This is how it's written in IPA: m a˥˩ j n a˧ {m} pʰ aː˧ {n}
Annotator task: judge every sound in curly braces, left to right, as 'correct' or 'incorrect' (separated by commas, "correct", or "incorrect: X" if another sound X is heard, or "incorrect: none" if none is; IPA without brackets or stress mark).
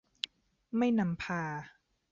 correct, incorrect: none